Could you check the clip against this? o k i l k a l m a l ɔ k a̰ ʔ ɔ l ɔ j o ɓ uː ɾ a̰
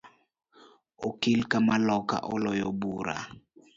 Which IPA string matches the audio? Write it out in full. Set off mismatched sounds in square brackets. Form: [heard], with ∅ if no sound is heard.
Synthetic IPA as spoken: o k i l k a [∅] m a l ɔ k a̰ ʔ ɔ l ɔ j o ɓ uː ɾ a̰